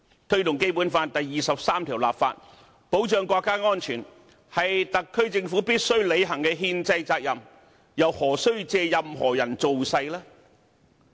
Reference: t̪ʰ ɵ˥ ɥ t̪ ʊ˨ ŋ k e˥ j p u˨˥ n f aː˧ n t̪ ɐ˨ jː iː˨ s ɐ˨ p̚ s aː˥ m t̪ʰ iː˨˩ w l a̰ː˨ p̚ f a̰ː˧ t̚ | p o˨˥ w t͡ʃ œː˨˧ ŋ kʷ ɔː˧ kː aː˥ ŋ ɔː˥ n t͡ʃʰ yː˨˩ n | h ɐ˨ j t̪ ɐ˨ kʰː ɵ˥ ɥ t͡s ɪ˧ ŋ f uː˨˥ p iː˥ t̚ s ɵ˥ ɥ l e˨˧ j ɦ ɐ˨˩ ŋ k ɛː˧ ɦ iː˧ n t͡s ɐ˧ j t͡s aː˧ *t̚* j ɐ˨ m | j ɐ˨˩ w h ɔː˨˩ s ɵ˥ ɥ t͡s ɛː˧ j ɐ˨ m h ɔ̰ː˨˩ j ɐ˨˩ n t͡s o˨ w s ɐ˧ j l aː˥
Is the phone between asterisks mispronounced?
yes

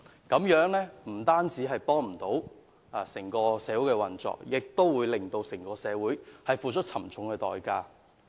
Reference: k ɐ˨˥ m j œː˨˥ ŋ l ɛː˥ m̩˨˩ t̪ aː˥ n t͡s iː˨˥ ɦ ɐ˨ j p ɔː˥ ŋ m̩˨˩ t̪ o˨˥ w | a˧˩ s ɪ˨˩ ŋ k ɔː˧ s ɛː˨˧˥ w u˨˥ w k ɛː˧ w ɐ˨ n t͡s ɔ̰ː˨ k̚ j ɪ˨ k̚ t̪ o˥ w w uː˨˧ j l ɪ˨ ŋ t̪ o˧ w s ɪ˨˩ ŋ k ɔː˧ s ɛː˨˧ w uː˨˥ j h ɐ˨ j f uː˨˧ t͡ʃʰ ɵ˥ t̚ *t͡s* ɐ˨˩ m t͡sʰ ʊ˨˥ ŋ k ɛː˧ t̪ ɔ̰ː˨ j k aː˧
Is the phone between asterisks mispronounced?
yes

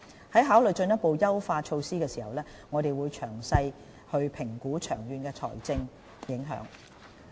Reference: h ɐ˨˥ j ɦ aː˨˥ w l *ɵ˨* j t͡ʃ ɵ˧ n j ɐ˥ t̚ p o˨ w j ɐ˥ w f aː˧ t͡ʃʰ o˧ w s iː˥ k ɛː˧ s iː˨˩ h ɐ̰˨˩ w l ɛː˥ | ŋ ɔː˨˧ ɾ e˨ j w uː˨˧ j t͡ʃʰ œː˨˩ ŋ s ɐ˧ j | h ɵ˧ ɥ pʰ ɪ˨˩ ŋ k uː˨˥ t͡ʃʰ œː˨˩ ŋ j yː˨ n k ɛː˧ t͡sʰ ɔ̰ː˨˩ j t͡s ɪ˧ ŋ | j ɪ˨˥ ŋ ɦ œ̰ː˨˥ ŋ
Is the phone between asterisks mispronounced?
no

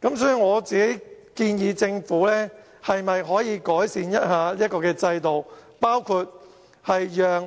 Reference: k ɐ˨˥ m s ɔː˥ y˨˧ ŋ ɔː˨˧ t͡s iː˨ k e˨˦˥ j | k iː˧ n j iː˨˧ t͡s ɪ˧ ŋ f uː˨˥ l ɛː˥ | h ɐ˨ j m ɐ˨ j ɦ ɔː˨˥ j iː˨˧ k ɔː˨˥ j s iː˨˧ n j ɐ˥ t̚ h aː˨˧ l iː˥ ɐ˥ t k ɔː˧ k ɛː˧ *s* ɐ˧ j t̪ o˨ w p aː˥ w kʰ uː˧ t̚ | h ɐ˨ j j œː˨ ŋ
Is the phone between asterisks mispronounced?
yes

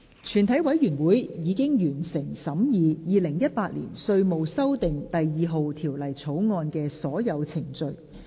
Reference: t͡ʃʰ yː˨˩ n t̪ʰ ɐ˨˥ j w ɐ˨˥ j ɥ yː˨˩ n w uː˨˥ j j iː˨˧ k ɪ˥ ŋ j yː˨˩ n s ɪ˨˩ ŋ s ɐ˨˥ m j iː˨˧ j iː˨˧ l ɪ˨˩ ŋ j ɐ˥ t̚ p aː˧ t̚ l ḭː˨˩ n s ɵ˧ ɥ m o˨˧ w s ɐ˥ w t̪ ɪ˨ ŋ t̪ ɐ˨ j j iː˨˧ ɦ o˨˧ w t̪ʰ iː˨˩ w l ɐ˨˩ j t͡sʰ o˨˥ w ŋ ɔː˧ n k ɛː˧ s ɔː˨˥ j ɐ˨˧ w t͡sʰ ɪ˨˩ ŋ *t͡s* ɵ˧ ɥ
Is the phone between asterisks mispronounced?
no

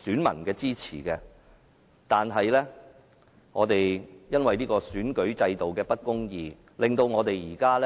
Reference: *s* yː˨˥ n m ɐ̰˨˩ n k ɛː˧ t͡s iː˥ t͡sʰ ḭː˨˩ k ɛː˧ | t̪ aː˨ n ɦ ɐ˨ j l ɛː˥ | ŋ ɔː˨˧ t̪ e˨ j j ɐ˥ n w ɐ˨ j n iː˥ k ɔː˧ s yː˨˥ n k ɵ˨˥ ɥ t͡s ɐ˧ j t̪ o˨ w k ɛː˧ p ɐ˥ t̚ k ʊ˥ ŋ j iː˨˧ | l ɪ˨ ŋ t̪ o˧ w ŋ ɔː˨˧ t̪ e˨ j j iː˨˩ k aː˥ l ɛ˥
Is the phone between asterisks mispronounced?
no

